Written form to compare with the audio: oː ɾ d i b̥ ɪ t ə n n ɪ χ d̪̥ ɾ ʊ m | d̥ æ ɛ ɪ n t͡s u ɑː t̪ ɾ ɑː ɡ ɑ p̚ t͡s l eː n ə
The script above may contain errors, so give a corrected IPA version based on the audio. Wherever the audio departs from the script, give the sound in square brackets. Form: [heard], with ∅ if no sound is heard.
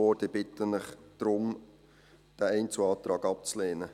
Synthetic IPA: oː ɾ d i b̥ ɪ t ə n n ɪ χ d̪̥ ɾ ʊ m | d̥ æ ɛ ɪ n t͡s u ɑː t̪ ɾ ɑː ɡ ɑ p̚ t͡s l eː n ə

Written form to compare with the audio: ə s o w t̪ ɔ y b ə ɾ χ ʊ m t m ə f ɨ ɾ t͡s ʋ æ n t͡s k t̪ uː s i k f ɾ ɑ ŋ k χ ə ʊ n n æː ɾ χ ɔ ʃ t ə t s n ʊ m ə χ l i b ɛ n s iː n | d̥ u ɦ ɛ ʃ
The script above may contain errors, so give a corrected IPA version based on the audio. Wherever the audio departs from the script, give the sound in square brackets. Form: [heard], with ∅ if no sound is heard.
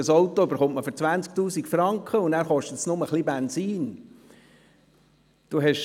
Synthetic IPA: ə s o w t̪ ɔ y b ə ɾ χ ʊ m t m ə f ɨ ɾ t͡s ʋ æ n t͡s k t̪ uː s i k f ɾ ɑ ŋ k χ ə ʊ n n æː ɾ χ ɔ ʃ t ə t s n ʊ m ə χ l i b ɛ n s iː n | d̥ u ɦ ɛ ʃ

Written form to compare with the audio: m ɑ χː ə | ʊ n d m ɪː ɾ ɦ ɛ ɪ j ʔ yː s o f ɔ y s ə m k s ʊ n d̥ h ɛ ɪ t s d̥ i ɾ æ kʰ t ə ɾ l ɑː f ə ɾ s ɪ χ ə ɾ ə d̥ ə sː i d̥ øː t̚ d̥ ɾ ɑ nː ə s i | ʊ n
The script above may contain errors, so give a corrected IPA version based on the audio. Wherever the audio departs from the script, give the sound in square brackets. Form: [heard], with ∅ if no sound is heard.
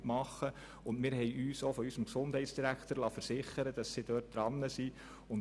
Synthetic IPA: m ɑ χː ə | ʊ n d m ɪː ɾ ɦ ɛ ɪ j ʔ yː s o f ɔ y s ə m k s ʊ n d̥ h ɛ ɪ t s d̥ i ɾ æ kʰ t ə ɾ l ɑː f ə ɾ s ɪ χ ə ɾ ə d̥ [ɑ] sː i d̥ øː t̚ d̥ ɾ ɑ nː ə s i | ʊ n

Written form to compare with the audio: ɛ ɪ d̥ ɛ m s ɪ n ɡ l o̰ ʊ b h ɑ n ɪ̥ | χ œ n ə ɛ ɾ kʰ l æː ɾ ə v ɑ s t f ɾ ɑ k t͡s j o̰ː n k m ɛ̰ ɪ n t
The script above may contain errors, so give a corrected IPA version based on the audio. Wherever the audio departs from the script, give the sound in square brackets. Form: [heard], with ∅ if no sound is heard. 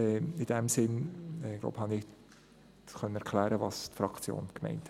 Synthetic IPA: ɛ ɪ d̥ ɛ m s ɪ n ɡ l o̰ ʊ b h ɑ n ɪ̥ | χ œ n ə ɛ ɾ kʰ l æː ɾ ə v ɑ s t f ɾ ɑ k t͡s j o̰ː n k m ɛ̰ ɪ n t

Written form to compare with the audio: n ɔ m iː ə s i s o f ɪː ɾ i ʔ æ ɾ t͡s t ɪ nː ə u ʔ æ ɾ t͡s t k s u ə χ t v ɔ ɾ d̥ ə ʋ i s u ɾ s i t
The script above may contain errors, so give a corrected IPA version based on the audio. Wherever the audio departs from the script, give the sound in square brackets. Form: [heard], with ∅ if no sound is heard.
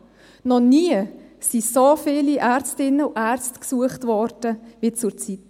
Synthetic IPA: n ɔ [n] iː ə s i s o f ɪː [l] i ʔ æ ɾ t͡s t ɪ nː ə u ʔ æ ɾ t͡s t k s u ə χ t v ɔ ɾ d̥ ə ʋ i [t͡s] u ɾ [t͡s] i t

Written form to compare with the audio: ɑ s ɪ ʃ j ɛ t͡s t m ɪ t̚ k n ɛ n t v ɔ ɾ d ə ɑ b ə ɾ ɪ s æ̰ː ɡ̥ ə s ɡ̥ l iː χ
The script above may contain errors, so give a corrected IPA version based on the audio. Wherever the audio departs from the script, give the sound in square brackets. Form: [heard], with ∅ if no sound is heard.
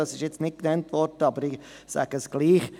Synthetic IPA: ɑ s ɪ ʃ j ɛ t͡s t [n] ɪ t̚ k n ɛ n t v ɔ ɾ d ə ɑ b ə ɾ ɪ s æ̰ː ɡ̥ ə s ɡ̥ l iː χ

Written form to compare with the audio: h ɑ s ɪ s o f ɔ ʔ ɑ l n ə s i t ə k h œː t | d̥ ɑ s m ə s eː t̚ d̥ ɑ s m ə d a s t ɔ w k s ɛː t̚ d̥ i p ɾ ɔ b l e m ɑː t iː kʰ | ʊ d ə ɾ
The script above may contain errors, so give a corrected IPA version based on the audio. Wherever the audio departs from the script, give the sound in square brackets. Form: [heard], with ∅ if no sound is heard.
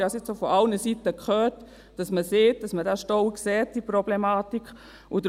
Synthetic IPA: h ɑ s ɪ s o f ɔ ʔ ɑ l n ə s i t ə k [χ] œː t | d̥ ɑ s m ə s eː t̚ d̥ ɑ s m ə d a [ʃ] t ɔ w k s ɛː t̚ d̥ i p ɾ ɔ b l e m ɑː t [i] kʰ | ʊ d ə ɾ

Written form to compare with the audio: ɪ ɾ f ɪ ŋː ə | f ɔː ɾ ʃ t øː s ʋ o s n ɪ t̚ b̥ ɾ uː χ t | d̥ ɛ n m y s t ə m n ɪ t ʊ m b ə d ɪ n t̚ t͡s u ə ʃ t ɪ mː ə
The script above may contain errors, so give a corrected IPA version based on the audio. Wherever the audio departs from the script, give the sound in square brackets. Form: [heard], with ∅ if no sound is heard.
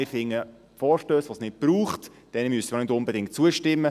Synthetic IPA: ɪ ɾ f ɪ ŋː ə | f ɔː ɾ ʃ t øː s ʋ o s n ɪ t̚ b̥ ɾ uː χ t | d̥ ɛ n m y s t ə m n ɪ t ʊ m b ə d ɪ [ŋ] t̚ t͡s u ə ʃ t ɪ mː ə

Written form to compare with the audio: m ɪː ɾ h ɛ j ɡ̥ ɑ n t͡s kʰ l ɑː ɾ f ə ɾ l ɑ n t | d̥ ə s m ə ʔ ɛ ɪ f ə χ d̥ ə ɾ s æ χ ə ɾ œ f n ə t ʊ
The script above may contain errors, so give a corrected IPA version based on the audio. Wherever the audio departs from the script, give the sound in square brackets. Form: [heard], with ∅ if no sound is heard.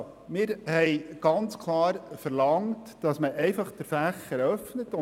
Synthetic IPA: m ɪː ɾ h ɛ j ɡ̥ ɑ n t͡s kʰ l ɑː ɾ f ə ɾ l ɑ [ŋ] t | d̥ [ɑ] s m ə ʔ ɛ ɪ f [ɑ] χ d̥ ə ɾ [f] æ χ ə ɾ œ f n ə t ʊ

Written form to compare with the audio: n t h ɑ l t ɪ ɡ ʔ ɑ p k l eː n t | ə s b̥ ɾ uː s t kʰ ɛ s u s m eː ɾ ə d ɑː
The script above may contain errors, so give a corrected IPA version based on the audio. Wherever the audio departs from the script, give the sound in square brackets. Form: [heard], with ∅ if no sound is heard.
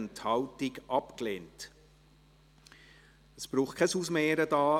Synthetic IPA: n t h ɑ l t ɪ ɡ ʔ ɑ p k l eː n t | ə s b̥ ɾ uː [χ] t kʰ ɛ s u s m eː ɾ ə d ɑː

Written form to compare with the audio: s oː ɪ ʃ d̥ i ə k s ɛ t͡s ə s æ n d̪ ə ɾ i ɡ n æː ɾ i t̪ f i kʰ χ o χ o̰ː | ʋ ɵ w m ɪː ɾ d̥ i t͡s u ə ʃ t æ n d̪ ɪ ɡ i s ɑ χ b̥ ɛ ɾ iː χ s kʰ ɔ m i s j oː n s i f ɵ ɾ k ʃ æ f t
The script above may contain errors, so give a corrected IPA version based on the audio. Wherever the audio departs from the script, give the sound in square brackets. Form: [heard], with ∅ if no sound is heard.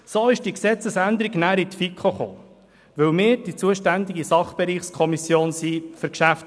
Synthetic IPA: s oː ɪ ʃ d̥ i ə k s ɛ t͡s ə s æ n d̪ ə ɾ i ɡ n æː ɾ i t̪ f i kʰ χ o χ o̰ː | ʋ ɵ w m ɪː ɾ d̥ i t͡s u ə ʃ t æ n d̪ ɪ ɡ i s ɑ χ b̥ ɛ ɾ iː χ s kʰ ɔ m i s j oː n s i f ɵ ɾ k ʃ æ f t

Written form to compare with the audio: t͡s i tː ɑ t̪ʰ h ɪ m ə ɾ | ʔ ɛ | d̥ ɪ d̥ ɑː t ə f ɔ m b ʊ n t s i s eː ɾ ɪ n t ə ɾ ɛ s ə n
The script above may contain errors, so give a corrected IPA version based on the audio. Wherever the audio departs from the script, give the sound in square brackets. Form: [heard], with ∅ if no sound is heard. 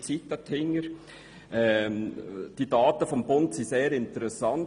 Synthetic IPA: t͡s i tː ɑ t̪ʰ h ɪ [ŋ] ə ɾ | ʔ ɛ | d̥ [i] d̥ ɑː t ə f ɔ m b ʊ n t s i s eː ɾ ɪ n t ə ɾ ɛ s [ɑ] n

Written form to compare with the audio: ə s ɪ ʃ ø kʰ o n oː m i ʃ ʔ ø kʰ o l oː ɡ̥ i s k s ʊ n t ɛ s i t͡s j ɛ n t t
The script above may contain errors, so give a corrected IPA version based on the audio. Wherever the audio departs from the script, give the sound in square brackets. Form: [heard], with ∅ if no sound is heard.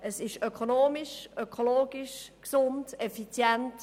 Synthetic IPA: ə s ɪ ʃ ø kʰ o n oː m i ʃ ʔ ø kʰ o l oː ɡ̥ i [ʃ] k s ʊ n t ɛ [f] i t͡s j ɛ n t t

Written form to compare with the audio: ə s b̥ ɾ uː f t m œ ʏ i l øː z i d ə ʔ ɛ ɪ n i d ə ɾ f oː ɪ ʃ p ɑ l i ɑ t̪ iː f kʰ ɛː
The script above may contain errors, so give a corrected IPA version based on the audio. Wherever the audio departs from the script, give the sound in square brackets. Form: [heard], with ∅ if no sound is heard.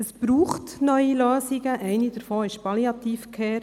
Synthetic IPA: ə s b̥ ɾ uː [χ] t [n] œ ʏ i l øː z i [ɡ] ə ʔ ɛ ɪ n i d ə ɾ f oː ɪ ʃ p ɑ l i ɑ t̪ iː f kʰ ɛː

